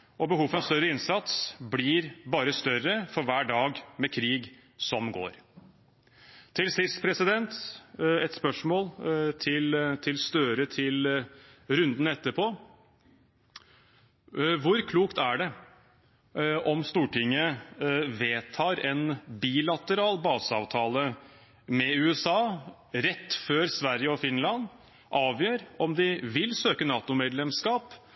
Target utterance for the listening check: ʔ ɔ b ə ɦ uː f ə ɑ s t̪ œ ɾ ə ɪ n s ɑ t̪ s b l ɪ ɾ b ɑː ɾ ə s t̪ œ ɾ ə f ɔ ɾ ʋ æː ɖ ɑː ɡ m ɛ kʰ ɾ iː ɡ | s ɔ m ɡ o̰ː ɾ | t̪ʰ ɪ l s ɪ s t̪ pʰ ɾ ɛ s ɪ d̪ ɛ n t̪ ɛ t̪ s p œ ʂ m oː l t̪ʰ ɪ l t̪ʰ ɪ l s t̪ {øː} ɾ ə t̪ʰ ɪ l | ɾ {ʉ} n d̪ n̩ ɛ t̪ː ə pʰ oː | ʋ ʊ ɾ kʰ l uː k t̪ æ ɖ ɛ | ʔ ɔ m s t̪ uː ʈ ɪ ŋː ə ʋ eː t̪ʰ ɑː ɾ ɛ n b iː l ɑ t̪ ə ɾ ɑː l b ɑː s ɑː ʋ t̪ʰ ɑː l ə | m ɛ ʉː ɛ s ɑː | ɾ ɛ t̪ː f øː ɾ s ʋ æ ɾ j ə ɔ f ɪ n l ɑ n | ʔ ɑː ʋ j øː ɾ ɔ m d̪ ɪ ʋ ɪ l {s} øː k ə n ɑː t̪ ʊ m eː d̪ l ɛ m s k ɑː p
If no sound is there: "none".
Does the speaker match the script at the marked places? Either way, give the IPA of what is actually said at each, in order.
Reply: øː, ʉ, s

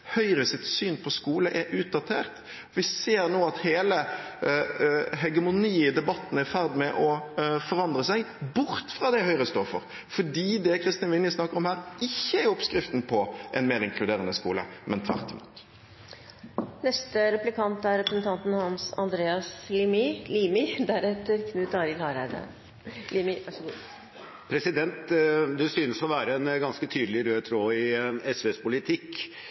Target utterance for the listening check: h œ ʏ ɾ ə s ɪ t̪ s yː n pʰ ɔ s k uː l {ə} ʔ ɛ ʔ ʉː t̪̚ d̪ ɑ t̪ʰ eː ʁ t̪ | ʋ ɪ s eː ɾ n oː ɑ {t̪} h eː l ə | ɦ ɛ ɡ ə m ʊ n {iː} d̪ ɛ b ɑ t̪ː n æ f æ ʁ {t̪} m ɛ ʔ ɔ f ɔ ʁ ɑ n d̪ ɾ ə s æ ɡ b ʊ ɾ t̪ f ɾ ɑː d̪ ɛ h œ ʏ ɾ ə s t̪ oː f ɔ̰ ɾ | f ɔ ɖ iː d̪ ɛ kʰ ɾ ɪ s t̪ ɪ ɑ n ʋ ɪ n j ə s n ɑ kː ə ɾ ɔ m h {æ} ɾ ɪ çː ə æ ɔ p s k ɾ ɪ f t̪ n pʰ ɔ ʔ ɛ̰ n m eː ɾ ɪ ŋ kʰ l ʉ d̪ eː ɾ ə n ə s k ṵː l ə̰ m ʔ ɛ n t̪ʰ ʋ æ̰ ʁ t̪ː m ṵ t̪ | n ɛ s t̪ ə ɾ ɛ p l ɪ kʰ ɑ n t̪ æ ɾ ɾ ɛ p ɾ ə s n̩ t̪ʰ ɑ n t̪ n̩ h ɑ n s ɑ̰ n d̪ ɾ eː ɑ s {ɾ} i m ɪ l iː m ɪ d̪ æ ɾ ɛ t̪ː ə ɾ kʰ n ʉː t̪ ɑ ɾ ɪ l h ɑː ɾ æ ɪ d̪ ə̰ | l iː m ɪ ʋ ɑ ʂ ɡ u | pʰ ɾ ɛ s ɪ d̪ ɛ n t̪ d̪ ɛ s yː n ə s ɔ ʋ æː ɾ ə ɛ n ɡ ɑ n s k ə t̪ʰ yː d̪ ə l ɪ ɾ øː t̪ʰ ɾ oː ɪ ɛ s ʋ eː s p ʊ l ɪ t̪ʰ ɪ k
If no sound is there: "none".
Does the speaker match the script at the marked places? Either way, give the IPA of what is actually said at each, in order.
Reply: ə, t̪, iː, d̪, æː, l

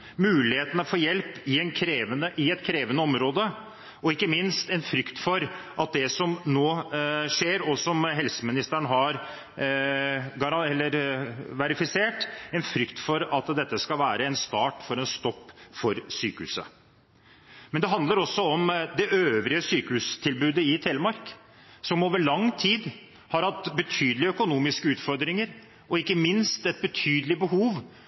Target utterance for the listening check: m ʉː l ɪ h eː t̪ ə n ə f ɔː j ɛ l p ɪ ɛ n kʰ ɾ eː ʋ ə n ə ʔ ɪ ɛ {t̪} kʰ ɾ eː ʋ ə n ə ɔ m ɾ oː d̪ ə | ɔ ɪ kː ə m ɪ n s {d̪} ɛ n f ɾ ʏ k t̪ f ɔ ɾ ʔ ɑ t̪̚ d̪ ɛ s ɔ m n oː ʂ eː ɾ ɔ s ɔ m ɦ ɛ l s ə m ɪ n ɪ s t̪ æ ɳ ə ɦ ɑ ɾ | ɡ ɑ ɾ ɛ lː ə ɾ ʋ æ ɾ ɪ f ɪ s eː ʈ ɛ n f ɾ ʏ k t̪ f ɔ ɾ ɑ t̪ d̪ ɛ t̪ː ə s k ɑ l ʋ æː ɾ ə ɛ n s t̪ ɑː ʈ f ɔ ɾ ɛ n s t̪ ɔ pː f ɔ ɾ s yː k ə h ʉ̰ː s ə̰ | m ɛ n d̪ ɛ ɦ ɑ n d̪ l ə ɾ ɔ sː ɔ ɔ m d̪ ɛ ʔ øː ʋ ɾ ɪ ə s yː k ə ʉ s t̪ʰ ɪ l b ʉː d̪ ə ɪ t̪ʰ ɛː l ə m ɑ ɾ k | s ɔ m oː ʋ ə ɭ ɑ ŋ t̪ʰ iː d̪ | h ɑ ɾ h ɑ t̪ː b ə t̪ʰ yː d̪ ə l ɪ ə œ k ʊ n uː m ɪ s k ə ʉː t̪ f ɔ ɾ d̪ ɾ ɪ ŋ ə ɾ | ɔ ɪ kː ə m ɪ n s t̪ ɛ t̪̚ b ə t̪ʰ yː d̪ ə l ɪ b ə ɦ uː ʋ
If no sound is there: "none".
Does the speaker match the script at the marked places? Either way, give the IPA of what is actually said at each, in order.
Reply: t̪, t̪

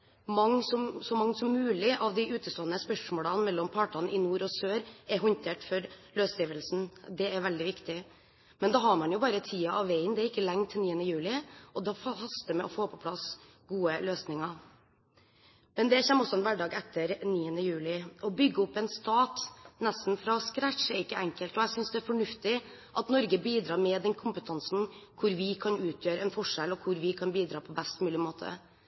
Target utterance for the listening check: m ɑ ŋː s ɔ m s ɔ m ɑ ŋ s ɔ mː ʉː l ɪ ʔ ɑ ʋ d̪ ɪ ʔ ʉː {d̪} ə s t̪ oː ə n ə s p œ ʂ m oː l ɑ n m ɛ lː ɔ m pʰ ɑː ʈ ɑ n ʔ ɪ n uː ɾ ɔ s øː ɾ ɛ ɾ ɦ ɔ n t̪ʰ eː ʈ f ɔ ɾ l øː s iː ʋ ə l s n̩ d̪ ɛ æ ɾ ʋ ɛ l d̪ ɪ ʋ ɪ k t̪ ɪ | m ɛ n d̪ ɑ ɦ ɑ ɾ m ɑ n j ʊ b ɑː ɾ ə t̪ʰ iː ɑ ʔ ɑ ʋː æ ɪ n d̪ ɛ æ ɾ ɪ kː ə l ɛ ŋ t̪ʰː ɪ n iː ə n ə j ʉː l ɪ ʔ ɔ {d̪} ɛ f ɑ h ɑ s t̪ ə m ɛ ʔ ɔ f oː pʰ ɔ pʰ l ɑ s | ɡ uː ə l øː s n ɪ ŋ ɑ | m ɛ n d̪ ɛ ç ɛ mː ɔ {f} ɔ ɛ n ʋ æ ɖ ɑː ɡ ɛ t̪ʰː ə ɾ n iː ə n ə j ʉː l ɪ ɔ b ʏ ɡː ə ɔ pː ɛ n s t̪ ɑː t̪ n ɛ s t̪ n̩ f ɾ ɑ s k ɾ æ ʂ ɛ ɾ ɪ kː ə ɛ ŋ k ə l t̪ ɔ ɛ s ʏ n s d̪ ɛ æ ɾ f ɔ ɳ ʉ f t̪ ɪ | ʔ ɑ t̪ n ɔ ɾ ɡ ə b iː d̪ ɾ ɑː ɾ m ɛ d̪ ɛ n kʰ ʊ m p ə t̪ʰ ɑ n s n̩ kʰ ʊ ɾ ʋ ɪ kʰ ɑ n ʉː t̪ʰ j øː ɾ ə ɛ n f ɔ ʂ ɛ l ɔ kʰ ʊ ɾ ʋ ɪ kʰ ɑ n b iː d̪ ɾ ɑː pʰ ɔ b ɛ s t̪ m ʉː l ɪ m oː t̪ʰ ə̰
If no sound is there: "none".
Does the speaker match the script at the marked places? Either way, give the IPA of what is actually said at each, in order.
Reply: t̪, d̪, s

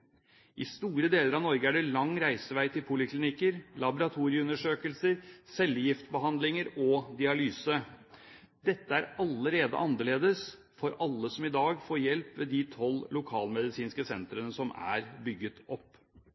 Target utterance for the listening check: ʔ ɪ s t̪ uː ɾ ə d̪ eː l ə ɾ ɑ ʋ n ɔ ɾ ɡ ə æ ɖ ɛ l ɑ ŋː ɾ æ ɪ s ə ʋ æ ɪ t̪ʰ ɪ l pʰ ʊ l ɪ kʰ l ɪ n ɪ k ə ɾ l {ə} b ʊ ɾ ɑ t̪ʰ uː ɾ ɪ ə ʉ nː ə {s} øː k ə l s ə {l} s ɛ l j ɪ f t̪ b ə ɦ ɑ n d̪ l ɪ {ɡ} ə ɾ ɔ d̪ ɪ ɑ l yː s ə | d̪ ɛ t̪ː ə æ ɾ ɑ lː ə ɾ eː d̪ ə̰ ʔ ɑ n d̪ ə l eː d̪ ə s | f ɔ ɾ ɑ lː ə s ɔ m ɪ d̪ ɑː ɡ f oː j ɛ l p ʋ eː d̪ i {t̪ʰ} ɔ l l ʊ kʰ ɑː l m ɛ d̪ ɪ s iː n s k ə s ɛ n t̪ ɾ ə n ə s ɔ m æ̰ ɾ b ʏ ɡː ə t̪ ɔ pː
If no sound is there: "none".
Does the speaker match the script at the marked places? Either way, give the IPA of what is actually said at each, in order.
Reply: ɑ, ʂ, ɾ, ŋ, t̪ʰ

